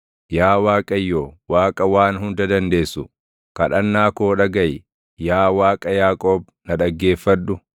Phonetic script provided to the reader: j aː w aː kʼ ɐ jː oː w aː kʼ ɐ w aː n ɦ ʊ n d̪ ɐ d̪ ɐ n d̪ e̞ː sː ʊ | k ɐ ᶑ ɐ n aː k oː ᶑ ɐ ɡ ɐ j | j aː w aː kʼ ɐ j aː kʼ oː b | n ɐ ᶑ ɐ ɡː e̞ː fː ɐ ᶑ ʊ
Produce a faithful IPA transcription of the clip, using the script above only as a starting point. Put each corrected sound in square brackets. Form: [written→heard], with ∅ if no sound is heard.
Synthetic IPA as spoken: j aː w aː kʼ ɐ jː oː w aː kʼ ɐ w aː n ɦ ʊ n d̪ ɐ d̪ ɐ n d̪ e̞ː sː ʊ | k ɐ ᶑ ɐ [n→nː] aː k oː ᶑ ɐ ɡ ɐ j | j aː w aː kʼ ɐ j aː kʼ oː b | n ɐ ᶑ ɐ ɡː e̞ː fː ɐ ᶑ ʊ